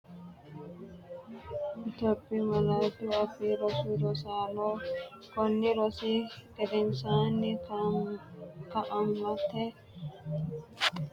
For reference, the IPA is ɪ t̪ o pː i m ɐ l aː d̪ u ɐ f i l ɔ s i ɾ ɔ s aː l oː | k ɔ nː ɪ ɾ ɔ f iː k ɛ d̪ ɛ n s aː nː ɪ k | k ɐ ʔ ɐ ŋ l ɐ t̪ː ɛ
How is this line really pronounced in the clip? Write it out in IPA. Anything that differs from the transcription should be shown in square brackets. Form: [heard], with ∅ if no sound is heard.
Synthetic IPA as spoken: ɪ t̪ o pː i m ɐ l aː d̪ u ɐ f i [ɾ] ɔ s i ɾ ɔ s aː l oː | k ɔ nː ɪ ɾ ɔ [s] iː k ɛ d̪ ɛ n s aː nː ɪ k | k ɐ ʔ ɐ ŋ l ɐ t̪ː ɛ